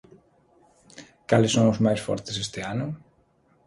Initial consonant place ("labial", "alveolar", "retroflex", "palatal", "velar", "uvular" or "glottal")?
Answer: velar